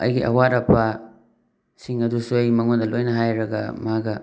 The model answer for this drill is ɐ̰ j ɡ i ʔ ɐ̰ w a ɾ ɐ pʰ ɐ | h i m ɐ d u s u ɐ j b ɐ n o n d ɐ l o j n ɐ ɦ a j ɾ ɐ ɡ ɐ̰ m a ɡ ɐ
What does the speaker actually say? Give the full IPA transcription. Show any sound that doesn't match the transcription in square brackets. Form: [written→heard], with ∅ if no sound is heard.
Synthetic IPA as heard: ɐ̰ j ɡ i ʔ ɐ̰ w a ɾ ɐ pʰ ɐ | [h→s] i [m→ŋ] ɐ d u s u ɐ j [b→m] ɐ [n→ŋ] o n d ɐ l o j n ɐ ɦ a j ɾ ɐ ɡ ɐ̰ m a ɡ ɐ